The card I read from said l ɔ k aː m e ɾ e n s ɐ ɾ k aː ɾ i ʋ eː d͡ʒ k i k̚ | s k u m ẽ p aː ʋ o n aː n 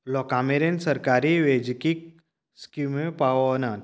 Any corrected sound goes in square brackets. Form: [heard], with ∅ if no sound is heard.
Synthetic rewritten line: l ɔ k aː m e ɾ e n s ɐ ɾ k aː ɾ i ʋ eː d͡ʒ k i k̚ | s k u m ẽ p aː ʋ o n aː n

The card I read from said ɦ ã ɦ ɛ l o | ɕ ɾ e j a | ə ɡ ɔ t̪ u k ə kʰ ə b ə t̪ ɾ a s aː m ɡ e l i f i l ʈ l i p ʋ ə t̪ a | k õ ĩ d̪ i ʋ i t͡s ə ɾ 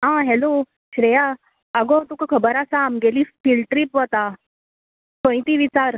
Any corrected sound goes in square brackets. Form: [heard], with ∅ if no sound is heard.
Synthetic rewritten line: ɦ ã ɦ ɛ l o | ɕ ɾ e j a | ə ɡ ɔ t̪ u k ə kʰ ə b ə [∅] ɾ a s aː m ɡ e l i f i l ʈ [ɾ] i p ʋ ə t̪ a | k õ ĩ [t̪] i ʋ i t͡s [a] ɾ

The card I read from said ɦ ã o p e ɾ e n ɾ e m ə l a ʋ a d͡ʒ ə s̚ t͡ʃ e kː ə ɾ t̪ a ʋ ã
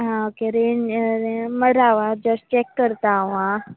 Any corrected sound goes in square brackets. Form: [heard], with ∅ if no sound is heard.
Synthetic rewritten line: ɦ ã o [k] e ɾ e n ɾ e m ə [ɾ] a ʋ a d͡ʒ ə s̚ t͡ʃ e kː ə ɾ t̪ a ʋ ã

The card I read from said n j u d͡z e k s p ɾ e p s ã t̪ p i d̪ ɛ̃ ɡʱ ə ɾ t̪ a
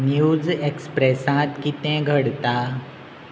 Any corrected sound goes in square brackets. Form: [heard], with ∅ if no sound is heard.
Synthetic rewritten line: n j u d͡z e k s p ɾ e [∅] s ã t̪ [k] i [t̪] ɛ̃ ɡʱ ə [ɽ] t̪ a

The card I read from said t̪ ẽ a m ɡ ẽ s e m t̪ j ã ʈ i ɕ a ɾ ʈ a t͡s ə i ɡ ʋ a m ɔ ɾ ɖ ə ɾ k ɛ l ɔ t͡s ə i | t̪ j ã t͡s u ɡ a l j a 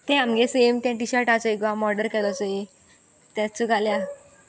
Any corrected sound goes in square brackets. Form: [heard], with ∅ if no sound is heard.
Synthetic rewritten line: t̪ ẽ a m ɡ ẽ s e m t̪ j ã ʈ i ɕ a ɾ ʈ a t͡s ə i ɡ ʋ a m ɔ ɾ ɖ ə ɾ k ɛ l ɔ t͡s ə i | t̪ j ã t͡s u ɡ a l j a

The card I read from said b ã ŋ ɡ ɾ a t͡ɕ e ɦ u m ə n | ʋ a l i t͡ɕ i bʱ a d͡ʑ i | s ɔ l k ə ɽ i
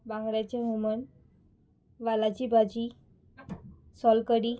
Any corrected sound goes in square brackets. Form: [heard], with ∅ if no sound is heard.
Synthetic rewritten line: b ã ŋ ɡ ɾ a t͡ɕ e ɦ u m ə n | ʋ a l [a] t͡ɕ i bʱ a d͡ʑ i | s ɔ l k ə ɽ i

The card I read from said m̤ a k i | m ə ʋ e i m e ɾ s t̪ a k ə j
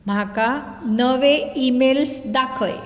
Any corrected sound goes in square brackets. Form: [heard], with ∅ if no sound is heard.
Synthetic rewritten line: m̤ a k [a] | [n] ə ʋ e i m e [l] s [d̪] a [kʰ] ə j

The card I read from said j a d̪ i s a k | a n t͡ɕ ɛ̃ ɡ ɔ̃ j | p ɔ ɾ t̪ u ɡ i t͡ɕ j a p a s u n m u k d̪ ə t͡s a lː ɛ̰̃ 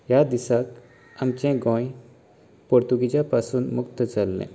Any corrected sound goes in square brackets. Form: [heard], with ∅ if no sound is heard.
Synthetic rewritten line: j a d̪ i s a k | a [m] t͡ɕ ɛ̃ ɡ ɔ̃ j | p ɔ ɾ t̪ u ɡ i t͡ɕ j a p a s [uː] n m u k [t̪] ə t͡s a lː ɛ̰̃

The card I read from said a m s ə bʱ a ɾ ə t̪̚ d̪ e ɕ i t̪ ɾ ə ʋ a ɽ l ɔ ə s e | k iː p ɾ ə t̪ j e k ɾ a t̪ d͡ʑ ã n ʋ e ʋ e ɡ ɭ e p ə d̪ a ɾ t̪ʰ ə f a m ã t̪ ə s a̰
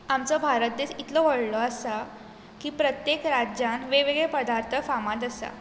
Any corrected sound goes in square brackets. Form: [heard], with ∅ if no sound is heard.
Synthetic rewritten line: a m [t͡s] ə bʱ a ɾ ə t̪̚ d̪ e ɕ i t̪ [l] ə ʋ [ə] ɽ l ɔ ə s [a] | k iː p ɾ ə t̪ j e k ɾ a [∅] d͡ʑ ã n ʋ e ʋ e ɡ ɭ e p ə d̪ a ɾ t̪ʰ ə f a m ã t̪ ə s a̰

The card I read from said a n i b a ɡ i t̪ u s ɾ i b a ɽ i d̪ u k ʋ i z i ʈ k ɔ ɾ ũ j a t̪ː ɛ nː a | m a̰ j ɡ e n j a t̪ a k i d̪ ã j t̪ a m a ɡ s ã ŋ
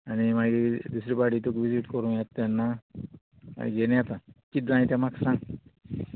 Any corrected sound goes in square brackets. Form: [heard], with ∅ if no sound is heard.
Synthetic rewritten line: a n i [m] a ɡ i [d̪] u s ɾ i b a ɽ i [t̪] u k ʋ i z i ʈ k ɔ ɾ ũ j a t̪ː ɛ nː a | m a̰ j ɡ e n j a t̪ a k i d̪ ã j t̪ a m a [k] s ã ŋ

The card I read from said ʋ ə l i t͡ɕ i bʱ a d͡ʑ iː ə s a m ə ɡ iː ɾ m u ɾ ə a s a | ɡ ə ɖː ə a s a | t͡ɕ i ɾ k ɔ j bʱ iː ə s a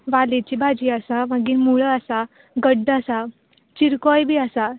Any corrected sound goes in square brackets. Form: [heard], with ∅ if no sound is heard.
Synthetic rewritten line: ʋ [a] l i t͡ɕ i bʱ a d͡ʑ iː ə s a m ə ɡ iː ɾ m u [ɭ] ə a s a | ɡ ə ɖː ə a s a | t͡ɕ i ɾ k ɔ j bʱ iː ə s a

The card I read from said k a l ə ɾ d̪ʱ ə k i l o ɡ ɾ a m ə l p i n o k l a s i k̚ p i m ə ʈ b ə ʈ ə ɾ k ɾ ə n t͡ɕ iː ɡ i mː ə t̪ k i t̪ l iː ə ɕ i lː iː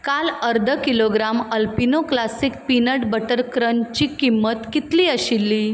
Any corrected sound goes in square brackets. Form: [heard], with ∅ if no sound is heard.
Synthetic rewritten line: k a l ə ɾ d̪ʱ ə k i l o ɡ ɾ a m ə l p i n o k l a s i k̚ p i [n] ə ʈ b ə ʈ ə ɾ k ɾ ə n t͡ɕ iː [k] i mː ə t̪ k i t̪ l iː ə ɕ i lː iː

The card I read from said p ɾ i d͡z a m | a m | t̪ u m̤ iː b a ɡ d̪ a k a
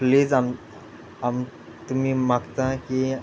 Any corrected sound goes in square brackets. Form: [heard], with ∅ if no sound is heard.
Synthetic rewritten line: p [l] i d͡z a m | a m | t̪ u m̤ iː [m] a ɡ [t̪] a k [i]

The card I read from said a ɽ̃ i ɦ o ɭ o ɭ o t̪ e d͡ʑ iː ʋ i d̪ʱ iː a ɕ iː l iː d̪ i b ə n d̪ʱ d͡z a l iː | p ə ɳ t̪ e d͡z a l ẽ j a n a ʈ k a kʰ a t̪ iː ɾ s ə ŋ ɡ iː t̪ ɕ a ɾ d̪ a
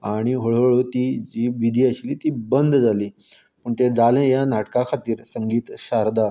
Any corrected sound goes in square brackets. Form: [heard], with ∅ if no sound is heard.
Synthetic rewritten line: a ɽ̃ i ɦ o ɭ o ɭ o t̪ [i] d͡ʑ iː ʋ i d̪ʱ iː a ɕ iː l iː [t̪] i b ə n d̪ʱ d͡z a l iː | p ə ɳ t̪ e d͡z a l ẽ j a n a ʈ k a kʰ a t̪ iː ɾ s ə ŋ ɡ iː t̪ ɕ a ɾ d̪ a

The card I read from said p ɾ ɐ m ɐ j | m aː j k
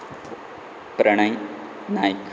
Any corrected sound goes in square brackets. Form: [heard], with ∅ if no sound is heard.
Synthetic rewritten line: p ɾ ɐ [ɳ] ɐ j | [n] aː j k

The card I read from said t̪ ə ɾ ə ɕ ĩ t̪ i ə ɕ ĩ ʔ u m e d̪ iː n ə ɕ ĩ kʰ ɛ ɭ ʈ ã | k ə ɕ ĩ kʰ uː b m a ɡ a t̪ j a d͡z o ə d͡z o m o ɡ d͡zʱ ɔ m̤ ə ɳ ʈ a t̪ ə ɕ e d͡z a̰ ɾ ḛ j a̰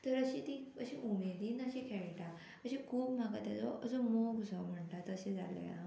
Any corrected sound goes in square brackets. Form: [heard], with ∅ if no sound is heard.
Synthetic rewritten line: t̪ ə ɾ ə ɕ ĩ t̪ i ə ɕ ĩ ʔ u m e d̪ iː n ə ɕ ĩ kʰ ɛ ɭ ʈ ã | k ə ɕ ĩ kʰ uː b m a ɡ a t̪ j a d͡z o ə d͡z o m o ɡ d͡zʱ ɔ m̤ ə ɳ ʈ a t̪ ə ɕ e d͡z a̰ [l] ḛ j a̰

